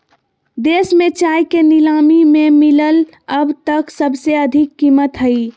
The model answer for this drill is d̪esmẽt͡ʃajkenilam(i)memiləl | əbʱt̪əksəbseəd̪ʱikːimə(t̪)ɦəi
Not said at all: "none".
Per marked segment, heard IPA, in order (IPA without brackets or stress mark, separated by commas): i, t̪